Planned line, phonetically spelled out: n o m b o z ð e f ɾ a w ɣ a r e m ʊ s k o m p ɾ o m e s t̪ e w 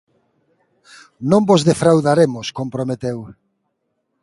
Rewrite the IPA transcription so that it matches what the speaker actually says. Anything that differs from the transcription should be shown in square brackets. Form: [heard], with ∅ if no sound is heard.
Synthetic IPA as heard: n [õ] m b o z ð e f ɾ a w [ð] a [ɾ] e m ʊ s k o m p ɾ o m e [∅] t̪ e w